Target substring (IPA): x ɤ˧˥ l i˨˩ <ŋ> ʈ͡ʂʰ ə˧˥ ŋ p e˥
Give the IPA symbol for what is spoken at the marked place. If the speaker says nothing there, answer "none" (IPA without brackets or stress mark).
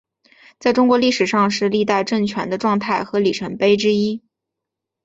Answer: none